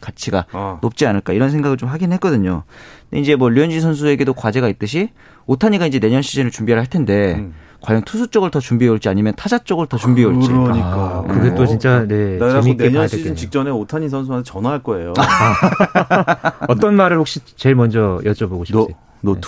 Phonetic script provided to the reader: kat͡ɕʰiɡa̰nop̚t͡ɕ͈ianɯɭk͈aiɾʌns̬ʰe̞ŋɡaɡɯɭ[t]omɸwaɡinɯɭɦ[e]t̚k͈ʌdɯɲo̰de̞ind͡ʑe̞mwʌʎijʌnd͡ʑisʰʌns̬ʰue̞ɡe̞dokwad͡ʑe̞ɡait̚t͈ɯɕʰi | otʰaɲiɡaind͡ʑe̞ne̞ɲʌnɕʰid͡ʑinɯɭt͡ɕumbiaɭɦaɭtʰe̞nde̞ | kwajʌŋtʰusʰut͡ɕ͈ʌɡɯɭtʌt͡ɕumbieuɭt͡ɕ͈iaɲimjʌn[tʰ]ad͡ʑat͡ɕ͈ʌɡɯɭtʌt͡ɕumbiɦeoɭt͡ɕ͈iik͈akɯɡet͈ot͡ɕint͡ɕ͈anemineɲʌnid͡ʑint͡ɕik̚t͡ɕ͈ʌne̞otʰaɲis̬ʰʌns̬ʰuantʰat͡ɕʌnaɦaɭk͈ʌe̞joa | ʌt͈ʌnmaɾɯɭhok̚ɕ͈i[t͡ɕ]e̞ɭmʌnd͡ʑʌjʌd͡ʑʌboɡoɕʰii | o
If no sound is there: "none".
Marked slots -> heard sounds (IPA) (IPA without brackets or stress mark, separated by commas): t͡ɕ, e, tʰ, t͡ɕ